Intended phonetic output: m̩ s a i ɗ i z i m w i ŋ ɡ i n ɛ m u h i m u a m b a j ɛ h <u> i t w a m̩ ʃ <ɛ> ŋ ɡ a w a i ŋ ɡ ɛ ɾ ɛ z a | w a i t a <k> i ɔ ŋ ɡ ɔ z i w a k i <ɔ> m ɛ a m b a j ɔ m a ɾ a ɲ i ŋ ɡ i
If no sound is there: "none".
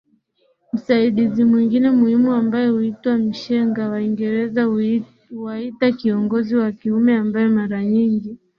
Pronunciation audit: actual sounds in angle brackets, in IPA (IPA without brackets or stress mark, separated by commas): u, ɛ, k, u